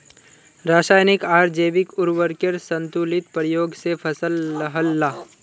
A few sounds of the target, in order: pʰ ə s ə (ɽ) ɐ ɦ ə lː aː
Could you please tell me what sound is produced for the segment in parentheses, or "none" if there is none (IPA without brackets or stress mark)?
l